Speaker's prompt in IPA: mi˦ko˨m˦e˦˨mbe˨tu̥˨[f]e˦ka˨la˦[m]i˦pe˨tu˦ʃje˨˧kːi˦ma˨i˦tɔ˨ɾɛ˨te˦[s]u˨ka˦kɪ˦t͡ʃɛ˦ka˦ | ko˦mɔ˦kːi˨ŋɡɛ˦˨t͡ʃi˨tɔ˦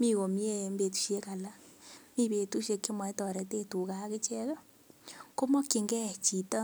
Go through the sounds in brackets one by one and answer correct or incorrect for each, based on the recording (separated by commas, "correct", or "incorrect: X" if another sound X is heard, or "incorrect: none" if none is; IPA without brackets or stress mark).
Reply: incorrect: ʃ, correct, incorrect: t